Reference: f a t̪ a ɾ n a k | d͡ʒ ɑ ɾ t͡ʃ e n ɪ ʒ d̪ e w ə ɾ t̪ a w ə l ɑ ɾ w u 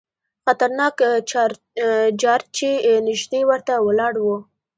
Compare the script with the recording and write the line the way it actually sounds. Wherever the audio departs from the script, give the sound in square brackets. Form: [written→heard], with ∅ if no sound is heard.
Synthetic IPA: [f→x] a t̪ a ɾ n [a→ɑ] k | d͡ʒ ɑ ɾ t͡ʃ e n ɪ ʒ d̪ e w ə ɾ t̪ a w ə l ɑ [ɾ→ɽ] w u